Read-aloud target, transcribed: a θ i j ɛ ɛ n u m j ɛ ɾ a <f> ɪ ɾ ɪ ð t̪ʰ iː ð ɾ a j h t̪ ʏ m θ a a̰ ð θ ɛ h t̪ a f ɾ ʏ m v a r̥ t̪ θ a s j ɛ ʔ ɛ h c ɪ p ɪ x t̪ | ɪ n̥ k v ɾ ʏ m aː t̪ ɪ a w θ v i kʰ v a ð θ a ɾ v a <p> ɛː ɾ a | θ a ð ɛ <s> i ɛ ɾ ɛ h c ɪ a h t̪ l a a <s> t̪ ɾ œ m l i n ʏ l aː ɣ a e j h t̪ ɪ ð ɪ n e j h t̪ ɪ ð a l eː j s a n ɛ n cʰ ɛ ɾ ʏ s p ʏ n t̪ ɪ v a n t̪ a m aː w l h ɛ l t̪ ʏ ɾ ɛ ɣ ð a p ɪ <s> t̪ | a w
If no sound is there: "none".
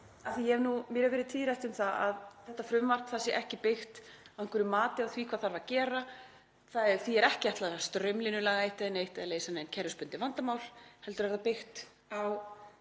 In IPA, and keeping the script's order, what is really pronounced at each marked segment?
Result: v, c, θ, s, x

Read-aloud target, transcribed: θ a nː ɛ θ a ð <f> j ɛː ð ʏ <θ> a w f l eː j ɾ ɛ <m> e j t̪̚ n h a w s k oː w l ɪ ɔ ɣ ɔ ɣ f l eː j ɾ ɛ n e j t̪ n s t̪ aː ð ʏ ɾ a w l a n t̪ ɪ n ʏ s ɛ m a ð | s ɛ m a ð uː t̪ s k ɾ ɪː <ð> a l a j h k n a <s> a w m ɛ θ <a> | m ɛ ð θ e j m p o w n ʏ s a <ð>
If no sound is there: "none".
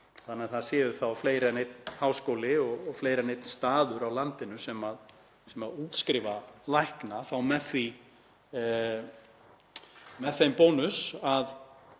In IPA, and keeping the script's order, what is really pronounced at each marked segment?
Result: s, θ, n, v, θ, i, ð

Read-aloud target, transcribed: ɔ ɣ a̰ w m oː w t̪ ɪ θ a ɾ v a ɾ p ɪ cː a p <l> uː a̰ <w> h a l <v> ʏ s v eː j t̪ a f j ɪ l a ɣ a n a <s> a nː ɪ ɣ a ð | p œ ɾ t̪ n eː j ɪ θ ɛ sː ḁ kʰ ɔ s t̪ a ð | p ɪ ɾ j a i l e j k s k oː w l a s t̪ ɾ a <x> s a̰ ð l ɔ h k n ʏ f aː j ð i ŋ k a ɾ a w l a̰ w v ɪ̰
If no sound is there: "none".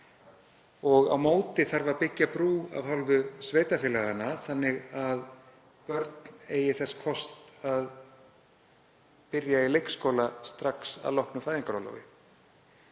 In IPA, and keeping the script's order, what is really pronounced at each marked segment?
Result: ɾ, v, v, θ, k

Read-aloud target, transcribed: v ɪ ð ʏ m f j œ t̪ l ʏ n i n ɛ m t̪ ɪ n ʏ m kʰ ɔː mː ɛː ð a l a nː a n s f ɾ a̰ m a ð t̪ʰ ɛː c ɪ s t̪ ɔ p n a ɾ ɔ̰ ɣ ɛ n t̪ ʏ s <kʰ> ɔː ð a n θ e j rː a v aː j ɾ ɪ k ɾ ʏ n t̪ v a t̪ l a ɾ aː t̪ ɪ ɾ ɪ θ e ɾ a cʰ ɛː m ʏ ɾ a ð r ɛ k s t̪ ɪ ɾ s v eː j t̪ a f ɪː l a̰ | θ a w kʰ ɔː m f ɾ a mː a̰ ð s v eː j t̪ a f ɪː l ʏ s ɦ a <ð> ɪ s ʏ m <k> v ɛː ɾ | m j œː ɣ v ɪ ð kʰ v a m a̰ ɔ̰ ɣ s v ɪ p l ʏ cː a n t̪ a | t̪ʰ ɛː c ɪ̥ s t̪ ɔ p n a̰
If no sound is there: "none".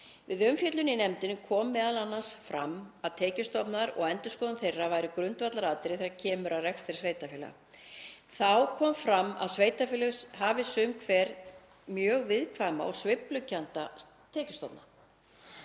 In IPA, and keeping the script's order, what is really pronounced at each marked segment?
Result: k, v, kʰ

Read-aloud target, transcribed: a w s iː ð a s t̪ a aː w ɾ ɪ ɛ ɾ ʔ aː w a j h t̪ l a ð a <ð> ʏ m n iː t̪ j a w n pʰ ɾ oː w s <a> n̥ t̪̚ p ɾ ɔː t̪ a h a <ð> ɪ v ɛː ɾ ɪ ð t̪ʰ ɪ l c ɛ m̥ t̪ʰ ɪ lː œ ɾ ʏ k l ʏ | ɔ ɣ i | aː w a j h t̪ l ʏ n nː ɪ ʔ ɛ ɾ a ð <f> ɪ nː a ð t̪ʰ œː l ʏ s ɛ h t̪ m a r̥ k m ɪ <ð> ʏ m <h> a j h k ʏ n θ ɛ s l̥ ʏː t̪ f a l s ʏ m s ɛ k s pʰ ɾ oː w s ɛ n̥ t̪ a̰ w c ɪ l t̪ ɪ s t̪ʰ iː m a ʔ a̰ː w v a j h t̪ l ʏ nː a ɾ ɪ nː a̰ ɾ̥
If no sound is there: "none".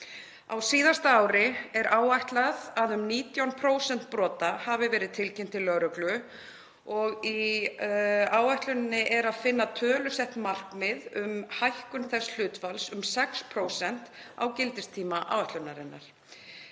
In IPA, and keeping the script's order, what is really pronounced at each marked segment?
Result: ð, ɛ, v, f, ð, h

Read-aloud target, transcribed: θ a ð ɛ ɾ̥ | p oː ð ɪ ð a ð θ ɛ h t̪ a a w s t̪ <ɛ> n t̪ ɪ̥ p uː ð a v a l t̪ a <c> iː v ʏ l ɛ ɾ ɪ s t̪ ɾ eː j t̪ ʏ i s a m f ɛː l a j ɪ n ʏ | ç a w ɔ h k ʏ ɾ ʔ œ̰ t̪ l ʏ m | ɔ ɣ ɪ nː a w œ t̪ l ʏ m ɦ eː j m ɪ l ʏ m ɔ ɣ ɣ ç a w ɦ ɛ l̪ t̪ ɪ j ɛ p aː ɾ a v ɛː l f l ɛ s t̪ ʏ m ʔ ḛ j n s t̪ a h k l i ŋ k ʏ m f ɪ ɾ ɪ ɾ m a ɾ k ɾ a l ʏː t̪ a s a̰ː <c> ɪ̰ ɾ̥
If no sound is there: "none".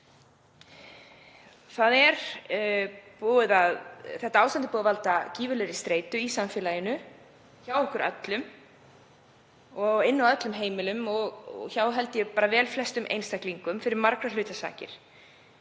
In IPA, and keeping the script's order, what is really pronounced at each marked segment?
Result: a, c, c

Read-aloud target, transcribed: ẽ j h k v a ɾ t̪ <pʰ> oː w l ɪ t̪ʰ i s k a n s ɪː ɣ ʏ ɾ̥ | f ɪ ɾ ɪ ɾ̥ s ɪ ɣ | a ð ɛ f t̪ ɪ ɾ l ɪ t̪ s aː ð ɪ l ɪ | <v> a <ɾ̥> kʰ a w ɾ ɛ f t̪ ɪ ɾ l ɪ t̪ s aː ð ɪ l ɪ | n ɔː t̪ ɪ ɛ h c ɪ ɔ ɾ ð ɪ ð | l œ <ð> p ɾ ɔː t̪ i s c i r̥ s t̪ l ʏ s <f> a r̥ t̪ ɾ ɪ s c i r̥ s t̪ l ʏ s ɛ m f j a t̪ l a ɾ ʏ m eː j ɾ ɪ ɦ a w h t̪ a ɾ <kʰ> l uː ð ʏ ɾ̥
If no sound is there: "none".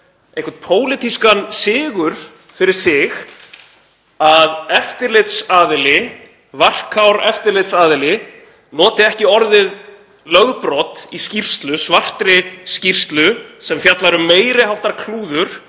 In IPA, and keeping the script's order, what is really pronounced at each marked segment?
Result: pʰ, v, r̥, ɣ, v, kʰ

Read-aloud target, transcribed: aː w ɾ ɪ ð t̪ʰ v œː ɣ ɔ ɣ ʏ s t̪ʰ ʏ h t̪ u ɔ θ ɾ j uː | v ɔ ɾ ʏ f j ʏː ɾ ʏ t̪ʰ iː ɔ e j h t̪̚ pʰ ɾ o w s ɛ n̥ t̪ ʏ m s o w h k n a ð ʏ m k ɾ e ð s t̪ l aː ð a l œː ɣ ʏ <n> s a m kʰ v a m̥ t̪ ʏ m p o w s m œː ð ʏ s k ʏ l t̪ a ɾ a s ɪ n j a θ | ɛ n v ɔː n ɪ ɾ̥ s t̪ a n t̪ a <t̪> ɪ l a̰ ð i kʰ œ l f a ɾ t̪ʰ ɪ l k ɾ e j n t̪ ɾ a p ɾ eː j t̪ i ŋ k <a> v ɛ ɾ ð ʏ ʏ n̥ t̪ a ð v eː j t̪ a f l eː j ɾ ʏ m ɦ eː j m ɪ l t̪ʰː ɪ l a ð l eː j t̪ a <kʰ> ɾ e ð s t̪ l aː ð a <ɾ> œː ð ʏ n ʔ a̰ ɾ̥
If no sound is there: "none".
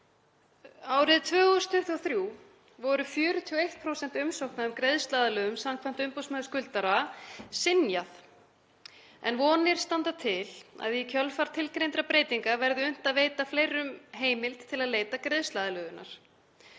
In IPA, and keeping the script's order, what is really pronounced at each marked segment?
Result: m, t̪ʰ, a, k, l

